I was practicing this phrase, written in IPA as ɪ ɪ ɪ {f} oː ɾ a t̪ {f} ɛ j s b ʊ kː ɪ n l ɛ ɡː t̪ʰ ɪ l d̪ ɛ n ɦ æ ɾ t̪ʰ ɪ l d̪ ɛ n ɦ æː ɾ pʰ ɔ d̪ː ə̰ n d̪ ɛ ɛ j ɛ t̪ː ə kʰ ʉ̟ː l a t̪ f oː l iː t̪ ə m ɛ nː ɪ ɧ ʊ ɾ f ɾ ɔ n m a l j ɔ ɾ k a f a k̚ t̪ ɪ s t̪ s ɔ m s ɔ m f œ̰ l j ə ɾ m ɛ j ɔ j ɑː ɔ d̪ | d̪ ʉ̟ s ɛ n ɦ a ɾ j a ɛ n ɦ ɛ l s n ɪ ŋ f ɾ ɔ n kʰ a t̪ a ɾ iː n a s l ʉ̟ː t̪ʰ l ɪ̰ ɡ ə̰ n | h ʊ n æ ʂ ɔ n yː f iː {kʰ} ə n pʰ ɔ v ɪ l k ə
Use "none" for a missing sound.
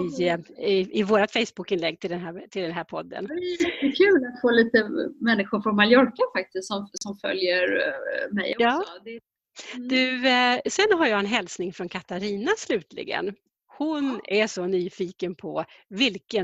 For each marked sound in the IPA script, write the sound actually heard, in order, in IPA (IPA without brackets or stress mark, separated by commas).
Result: v, f, k